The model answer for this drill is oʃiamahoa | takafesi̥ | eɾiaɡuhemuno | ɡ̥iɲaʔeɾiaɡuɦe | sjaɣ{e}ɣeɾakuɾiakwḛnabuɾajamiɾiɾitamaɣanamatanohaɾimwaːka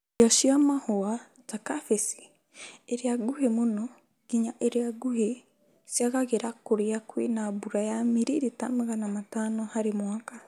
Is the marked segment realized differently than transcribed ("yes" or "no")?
yes